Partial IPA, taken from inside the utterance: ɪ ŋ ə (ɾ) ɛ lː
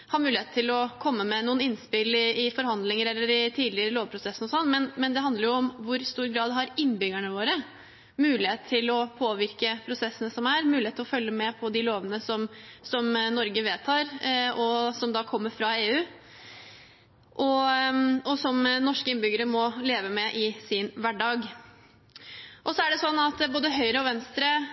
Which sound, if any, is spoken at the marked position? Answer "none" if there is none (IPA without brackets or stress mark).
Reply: ɾ